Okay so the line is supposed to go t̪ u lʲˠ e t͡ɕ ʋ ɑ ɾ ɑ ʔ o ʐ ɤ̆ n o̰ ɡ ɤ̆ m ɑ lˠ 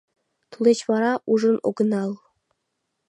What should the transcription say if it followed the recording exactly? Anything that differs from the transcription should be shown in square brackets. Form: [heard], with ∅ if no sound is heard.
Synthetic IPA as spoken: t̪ u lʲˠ e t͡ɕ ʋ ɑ ɾ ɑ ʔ [u] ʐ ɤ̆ n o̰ ɡ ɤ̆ [n] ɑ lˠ